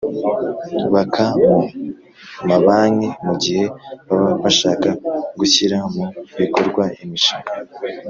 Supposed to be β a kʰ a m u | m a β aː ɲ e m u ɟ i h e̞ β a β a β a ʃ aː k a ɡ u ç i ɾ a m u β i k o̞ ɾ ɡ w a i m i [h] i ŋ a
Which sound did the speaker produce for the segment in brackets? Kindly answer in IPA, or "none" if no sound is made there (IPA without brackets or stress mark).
ʃ